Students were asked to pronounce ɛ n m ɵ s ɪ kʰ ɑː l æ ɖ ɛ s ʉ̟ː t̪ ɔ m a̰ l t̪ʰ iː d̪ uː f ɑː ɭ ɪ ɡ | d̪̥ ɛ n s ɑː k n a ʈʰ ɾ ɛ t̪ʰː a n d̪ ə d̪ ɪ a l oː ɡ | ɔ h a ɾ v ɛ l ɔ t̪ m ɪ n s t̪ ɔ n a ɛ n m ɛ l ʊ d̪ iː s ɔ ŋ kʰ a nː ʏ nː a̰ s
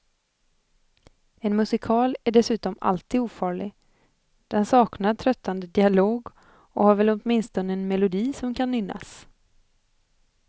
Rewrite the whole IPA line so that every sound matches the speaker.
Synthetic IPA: ɛ n m ɵ s ɪ kʰ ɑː l æ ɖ ɛ s ʉ̟ː t̪ ɔ m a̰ l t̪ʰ iː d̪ uː f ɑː ɭ ɪ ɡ | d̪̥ ɛ n s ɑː k n a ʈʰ ɾ œ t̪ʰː a n d̪ ə d̪ ɪ a l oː ɡ | ɔ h a ɾ v ɛ l ɔ t̪ m ɪ n s t̪ ɔ n ə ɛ n m ɛ l ʊ d̪ iː s ɔ m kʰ a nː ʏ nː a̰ s